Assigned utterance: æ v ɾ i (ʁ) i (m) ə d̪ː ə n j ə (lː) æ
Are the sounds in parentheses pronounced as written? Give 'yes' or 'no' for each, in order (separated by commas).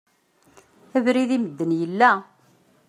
no, yes, yes